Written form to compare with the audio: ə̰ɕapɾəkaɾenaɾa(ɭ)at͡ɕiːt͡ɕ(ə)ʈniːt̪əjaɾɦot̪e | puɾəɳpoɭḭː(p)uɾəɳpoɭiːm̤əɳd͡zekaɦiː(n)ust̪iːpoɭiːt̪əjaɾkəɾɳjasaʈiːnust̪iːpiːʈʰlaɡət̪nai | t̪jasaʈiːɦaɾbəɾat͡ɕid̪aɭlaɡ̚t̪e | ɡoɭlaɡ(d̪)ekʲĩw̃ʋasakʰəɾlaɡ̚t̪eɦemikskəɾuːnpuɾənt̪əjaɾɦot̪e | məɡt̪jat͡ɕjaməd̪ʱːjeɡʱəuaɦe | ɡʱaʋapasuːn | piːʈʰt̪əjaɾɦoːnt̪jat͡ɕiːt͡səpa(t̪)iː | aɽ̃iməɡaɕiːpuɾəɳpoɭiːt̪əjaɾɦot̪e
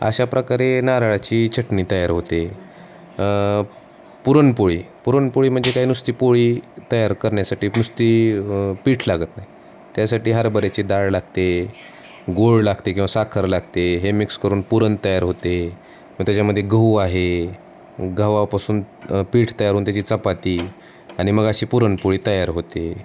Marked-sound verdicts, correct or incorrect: correct, correct, correct, correct, incorrect, correct

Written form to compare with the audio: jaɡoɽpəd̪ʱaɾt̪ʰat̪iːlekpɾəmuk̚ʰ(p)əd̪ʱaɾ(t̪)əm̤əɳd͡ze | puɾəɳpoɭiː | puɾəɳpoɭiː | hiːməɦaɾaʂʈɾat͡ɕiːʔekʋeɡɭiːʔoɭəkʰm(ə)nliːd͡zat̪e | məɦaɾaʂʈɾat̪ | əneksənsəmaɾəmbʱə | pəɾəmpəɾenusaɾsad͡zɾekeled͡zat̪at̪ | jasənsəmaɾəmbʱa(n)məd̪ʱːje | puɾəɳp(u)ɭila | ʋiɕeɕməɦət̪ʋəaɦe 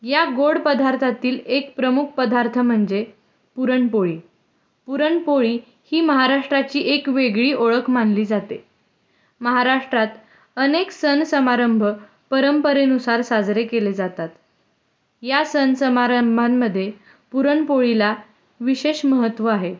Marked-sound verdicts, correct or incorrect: correct, incorrect, incorrect, correct, incorrect

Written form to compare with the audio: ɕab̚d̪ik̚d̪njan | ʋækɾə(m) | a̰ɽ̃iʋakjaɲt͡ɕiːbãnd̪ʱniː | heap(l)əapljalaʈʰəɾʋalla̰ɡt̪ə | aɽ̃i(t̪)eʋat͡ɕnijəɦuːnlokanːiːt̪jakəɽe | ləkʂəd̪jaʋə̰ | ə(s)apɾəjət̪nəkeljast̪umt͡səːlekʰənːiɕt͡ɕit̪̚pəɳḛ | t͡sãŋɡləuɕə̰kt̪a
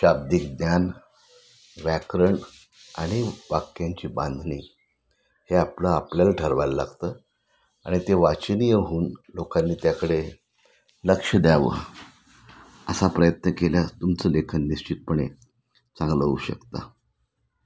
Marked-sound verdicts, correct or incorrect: incorrect, correct, correct, correct

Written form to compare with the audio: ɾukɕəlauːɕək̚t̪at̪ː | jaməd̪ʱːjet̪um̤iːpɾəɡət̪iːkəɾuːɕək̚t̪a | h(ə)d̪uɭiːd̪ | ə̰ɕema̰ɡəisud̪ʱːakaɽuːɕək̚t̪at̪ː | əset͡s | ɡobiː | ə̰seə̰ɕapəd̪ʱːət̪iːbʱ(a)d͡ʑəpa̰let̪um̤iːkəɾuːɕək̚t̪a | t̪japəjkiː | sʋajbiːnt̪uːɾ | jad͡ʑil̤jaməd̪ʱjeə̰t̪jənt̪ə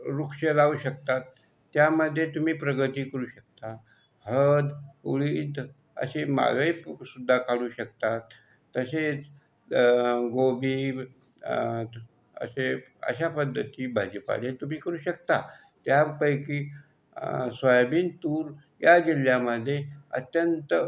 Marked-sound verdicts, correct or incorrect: correct, correct

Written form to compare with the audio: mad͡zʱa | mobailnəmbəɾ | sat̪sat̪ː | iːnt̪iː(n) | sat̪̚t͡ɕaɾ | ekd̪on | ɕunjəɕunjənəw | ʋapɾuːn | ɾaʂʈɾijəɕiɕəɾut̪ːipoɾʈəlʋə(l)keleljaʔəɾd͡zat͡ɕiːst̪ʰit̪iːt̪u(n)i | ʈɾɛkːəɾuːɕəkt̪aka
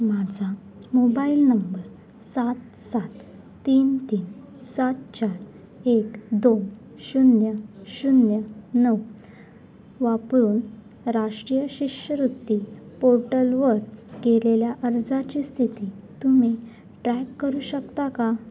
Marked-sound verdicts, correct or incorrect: correct, incorrect, incorrect

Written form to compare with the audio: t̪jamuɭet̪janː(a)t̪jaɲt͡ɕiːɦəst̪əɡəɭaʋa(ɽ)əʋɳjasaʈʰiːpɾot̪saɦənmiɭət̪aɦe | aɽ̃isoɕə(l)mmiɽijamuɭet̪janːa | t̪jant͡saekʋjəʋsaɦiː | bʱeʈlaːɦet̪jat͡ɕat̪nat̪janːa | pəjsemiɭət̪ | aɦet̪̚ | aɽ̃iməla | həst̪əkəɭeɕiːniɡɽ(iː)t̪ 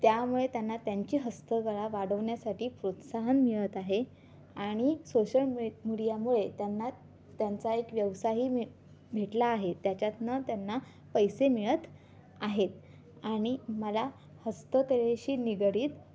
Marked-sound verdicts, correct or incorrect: correct, correct, correct, correct

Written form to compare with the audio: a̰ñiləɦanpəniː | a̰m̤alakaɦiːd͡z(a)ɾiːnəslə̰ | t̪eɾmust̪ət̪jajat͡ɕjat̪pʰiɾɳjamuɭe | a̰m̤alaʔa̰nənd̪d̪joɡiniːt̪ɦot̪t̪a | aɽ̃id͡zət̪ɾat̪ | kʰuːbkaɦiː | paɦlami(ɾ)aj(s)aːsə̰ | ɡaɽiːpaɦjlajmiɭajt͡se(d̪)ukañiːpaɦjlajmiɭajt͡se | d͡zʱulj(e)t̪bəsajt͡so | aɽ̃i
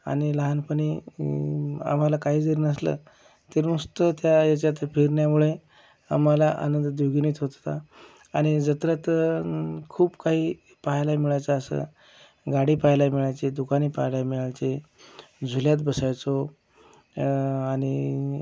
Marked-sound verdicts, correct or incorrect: incorrect, incorrect, incorrect, correct, incorrect

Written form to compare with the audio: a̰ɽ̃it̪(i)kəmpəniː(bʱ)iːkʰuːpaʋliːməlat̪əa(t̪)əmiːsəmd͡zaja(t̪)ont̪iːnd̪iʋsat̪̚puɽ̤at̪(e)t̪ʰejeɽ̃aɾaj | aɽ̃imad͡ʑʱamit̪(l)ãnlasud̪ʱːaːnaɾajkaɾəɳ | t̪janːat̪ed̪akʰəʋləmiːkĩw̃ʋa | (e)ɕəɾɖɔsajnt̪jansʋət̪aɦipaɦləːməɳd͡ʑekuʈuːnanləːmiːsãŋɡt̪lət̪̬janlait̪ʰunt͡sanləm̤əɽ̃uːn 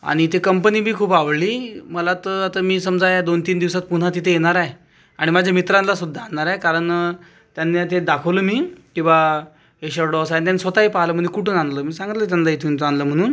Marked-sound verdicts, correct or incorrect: incorrect, correct, correct, incorrect, incorrect, incorrect, correct

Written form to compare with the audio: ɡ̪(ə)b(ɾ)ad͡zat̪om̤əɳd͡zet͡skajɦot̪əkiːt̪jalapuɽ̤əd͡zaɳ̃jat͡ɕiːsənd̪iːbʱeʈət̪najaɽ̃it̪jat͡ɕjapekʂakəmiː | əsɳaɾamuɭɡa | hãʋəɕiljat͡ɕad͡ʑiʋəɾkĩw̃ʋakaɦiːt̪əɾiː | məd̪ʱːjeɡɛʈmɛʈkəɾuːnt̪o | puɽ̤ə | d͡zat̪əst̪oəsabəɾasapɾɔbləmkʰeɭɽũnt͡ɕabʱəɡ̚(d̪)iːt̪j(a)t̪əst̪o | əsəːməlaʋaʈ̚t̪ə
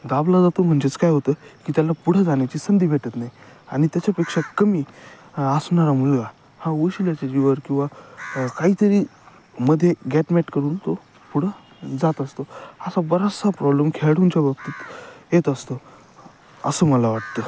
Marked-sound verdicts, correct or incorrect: incorrect, incorrect, incorrect, incorrect

